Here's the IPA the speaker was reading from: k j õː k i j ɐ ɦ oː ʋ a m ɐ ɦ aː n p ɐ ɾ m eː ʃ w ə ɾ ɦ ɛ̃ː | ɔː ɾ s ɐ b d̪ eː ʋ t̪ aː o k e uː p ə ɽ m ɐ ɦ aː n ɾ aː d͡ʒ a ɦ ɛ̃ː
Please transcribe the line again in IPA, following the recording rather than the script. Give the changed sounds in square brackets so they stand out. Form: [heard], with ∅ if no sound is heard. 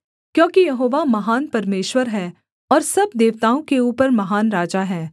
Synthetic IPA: k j õː k i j ɐ ɦ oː ʋ a m ɐ ɦ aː n p ɐ ɾ m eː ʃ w ə ɾ ɦ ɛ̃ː | ɔː ɾ s ɐ b d̪ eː ʋ t̪ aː [õ] k e uː p ə [ɾ] m ɐ ɦ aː n ɾ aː d͡ʒ a ɦ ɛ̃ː